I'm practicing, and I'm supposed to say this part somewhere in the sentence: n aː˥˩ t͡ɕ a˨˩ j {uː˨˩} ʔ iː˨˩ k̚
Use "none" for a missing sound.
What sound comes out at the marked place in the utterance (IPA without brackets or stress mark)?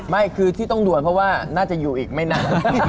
uː˨˩